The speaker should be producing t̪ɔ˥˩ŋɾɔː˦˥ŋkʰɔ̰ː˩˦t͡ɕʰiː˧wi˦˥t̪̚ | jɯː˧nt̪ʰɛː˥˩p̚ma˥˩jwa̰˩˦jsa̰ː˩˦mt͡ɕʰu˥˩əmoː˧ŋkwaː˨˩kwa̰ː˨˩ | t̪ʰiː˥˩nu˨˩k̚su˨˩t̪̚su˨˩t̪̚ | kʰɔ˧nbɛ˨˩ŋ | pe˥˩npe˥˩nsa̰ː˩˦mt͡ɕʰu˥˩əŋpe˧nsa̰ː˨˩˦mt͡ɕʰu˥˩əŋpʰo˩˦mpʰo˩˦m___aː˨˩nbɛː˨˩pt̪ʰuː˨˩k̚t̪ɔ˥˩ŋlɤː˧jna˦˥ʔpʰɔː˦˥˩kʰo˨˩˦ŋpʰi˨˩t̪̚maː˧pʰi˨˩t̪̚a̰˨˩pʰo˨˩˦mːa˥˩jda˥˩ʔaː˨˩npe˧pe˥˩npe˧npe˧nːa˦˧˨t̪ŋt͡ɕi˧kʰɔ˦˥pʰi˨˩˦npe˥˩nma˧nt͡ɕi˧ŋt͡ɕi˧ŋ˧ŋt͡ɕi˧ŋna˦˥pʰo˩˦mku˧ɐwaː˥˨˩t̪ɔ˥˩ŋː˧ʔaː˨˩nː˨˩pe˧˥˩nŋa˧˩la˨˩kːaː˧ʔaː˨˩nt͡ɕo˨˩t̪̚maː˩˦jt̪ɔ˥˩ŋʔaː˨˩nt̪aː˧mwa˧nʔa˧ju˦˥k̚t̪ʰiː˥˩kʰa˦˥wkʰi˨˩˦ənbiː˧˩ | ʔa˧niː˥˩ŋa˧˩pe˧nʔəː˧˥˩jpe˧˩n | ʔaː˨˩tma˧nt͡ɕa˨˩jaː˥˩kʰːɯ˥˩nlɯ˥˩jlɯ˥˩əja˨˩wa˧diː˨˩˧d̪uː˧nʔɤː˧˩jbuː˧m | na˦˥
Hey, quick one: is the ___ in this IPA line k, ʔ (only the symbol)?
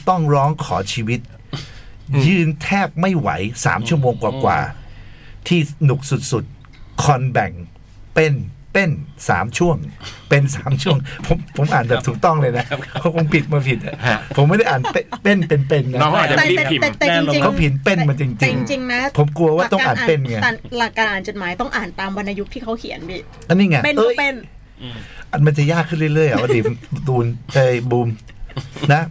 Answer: ʔ